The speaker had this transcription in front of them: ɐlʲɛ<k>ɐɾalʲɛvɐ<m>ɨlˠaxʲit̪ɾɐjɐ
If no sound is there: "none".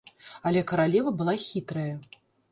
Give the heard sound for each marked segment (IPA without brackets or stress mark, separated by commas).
k, b